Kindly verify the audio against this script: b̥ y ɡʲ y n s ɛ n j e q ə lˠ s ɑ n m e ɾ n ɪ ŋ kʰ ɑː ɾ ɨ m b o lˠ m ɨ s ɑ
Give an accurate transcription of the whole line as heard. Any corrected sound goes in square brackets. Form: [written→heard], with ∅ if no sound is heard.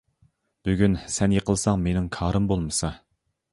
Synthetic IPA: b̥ y ɡʲ y n s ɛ n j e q ə lˠ s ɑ [n→ŋ] m e [ɾ→∅] n ɪ ŋ kʰ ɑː ɾ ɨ m b o lˠ m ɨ s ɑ